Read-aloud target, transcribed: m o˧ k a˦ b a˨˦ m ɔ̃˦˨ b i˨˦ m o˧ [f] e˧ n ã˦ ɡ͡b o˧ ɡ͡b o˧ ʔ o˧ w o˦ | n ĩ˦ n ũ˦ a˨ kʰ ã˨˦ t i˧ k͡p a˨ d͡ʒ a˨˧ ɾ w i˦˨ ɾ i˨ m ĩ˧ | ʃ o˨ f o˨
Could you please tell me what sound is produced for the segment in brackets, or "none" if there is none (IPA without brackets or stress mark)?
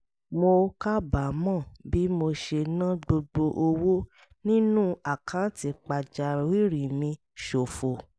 ʃ